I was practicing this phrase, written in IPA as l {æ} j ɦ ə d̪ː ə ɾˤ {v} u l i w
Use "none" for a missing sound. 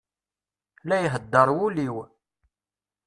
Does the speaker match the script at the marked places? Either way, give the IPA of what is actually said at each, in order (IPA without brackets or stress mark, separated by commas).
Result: æ, w